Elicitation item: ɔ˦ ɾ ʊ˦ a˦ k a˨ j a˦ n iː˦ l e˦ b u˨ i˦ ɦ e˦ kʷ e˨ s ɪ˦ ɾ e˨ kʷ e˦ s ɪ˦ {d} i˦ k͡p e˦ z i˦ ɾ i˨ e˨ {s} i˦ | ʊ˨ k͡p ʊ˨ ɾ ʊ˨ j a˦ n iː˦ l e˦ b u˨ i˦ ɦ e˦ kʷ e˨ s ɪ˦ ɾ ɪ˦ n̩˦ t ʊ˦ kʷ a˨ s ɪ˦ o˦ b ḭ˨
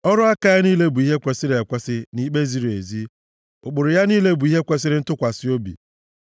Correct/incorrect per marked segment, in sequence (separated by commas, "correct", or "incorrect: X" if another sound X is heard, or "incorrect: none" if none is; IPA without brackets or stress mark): incorrect: n, incorrect: z